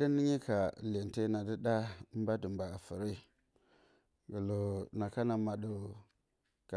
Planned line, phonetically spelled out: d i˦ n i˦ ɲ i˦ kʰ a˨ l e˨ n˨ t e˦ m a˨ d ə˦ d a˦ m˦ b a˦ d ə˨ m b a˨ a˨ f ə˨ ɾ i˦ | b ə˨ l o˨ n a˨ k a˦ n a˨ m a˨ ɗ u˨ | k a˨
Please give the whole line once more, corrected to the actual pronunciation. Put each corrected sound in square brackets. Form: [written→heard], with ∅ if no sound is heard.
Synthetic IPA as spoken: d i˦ n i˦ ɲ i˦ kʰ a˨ l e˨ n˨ t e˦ [m→n] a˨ d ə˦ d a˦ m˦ b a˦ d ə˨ m b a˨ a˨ f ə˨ ɾ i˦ | [b→ɡ] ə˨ l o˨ n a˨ k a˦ n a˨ m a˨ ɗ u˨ | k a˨